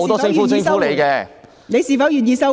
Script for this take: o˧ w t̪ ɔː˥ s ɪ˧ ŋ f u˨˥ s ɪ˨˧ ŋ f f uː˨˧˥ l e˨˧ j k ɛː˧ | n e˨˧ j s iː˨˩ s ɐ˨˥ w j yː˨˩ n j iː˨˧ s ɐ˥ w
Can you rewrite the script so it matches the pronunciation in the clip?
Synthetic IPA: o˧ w t̪ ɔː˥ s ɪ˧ ŋ f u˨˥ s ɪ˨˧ ŋ f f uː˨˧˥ l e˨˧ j k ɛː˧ | n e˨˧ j s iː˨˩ f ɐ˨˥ w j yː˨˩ n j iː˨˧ s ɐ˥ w

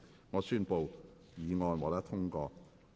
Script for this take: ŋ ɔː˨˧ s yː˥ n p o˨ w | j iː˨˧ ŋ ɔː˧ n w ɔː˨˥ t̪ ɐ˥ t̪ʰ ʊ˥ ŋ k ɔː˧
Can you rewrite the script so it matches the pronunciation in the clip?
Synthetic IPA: ŋ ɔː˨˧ s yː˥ n p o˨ w | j iː˨˧ ŋ ɔː˧ n w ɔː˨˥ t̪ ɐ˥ t̪ʰ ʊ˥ ŋ k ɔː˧

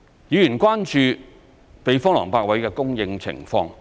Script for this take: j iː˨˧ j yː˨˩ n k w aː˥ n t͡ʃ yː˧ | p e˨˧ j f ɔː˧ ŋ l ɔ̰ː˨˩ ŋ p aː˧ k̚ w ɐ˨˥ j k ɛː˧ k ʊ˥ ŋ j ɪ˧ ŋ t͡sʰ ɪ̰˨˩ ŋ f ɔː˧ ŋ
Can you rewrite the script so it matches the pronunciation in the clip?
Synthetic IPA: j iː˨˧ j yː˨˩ n k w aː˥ n t͡ʃ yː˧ | p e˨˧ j f ɔː˥ ŋ l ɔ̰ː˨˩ ŋ p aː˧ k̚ w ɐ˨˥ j k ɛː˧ k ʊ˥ ŋ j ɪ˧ ŋ t͡sʰ ɪ̰˨˩ ŋ f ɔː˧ ŋ

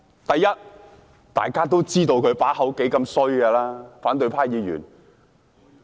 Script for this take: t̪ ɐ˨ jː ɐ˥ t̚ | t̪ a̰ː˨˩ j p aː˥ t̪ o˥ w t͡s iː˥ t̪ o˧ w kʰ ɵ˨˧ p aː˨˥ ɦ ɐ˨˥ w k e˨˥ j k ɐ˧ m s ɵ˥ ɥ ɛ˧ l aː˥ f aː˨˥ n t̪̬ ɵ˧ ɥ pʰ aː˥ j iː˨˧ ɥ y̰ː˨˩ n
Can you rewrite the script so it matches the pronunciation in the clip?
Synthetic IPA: t̪ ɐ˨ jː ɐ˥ t̚ | t̪ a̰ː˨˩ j k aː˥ t̪ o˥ w t͡s iː˥ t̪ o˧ w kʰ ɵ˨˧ p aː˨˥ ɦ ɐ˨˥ w k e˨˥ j k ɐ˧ m s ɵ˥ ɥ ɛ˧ l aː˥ f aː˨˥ n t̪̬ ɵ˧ ɥ pʰ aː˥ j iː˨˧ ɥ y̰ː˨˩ n

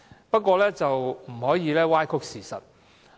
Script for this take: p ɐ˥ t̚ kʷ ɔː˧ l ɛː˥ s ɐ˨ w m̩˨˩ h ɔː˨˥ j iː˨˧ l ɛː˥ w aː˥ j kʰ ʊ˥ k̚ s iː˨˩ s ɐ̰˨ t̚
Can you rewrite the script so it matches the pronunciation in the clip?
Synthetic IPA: p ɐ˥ t̚ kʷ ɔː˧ l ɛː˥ t͡s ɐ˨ w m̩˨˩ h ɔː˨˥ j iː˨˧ l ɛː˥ w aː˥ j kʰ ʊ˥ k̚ s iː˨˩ s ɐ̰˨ t̚

